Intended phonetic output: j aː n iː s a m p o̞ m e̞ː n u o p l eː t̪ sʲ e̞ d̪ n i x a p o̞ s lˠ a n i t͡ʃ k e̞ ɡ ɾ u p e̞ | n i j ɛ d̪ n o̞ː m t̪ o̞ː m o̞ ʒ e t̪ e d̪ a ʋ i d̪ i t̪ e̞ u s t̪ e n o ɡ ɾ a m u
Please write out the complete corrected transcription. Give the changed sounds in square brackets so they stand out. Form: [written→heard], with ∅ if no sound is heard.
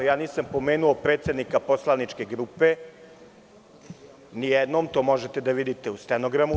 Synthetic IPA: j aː n iː s a m p o̞ m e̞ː n u o p [l→ɾ] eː t̪ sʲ e̞ d̪ n i [x→k] a p o̞ s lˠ a n i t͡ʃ k e̞ ɡ ɾ u p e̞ | n i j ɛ d̪ n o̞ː m t̪ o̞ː m o̞ ʒ e t̪ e d̪ a ʋ i d̪ i t̪ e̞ u s t̪ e n o ɡ ɾ a m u